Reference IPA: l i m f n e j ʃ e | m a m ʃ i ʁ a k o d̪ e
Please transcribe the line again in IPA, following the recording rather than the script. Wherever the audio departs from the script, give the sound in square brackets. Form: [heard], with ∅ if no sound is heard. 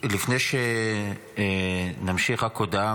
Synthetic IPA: l i [∅] f n e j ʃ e | [n] a m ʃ i [χ] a k o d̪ [a]

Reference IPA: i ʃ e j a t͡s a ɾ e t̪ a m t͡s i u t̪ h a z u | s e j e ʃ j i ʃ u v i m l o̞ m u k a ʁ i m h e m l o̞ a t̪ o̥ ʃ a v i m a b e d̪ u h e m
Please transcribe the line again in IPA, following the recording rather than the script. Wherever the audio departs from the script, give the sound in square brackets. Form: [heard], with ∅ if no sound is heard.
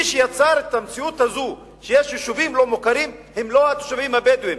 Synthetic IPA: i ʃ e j a t͡s a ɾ e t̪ a m t͡s i u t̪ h a z u | [ʃ] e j e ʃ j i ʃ u v i m l o̞ m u k a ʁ i m h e m l o̞ a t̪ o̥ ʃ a v i m a b e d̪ u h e m

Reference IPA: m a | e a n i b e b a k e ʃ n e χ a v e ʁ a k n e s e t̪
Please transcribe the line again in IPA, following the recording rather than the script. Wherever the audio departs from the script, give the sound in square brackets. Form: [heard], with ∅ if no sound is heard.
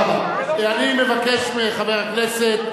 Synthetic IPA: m a | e a n i [m] e [v] a k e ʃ [m] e χ a v e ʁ a k n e s e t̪

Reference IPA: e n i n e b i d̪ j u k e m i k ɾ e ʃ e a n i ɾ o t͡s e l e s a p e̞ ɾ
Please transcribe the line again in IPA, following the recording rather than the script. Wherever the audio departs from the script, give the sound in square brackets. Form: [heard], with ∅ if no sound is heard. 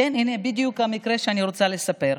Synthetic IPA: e n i n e b i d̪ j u k [a] m i k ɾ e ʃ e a n i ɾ o t͡s [a] l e s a p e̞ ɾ

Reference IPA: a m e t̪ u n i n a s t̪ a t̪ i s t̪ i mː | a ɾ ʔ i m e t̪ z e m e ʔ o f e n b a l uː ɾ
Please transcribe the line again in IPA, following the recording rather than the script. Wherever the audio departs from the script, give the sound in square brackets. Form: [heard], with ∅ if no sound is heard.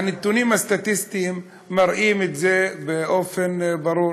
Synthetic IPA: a [n] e t̪ u n i [m] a s t̪ a t̪ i s t̪ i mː | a ɾ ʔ i m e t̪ z e [b] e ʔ o f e n b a [ɾ] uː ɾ

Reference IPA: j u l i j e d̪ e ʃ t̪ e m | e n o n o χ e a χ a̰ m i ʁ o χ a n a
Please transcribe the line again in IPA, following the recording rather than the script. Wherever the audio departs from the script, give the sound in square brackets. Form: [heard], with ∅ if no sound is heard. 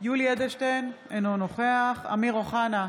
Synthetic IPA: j u l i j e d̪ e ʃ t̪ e [n] | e n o n o χ e a χ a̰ m i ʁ o χ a n a

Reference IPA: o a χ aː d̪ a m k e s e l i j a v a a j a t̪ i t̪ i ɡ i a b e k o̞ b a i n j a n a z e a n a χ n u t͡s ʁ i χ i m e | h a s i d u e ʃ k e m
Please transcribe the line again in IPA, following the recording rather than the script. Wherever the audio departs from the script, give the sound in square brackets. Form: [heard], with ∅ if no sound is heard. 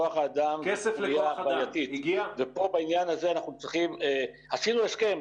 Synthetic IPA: o a χ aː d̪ a m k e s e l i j a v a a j a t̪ i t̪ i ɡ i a [v] e [p] o̞ b a i n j a n a z e a n a χ n u t͡s ʁ i χ i m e | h a s i [n] u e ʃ k e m

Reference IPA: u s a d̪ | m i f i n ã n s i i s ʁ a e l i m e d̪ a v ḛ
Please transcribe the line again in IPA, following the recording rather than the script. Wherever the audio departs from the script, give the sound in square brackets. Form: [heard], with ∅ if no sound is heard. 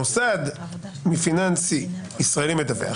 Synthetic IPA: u s a d̪ | m i f i n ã n s i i s ʁ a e l i m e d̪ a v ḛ

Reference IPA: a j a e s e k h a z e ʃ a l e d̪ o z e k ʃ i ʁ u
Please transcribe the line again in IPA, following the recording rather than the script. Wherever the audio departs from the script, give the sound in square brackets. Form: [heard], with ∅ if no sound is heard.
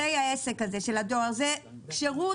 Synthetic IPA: [e] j a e s e k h a z e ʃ [e] l [a] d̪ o z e k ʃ [e] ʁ u

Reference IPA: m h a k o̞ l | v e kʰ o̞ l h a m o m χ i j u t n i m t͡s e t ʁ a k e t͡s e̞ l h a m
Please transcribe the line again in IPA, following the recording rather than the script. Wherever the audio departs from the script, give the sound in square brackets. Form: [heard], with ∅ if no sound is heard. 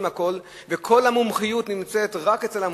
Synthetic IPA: m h a k o̞ l | v e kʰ o̞ l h a m [u] m χ i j u t n i m t͡s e t ʁ a k e t͡s e̞ l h a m

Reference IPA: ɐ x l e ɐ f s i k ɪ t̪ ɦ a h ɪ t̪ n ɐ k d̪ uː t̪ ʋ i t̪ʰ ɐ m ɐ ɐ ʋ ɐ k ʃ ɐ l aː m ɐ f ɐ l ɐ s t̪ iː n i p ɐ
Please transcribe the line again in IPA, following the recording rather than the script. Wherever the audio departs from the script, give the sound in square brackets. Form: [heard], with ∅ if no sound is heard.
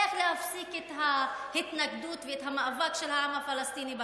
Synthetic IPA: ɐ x l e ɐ f s i k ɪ t̪ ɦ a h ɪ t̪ n ɐ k d̪ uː t̪ ʋ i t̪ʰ ɐ m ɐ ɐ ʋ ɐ k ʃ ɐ l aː m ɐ f ɐ l ɐ s t̪ iː n i [b] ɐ

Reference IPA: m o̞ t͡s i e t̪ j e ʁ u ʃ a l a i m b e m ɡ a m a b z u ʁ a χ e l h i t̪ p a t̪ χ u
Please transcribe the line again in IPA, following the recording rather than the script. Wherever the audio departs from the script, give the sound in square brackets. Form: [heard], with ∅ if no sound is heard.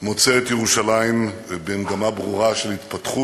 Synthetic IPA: m o̞ t͡s [e] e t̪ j e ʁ u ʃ a l a i m b e m ɡ a m a b [ʁ] u ʁ a [ʃ] e l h i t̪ p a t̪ χ u

